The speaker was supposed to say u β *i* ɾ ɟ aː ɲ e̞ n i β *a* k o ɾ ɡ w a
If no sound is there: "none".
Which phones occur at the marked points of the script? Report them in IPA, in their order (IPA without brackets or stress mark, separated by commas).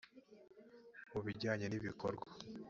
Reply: i, i